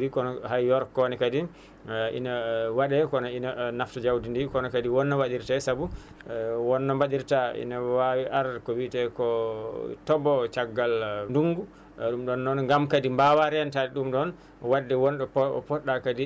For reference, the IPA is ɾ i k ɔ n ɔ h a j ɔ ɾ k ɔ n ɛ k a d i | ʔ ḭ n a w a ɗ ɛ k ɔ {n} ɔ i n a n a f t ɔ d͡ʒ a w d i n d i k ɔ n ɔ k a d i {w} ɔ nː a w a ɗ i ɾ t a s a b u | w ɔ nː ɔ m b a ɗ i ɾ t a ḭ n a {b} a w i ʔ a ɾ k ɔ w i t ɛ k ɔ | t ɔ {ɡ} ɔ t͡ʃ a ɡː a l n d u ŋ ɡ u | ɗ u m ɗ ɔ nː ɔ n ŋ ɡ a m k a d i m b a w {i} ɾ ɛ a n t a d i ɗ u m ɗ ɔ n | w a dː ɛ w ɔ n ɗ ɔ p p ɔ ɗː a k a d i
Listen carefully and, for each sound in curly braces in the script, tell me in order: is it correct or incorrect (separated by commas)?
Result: correct, correct, incorrect, incorrect, incorrect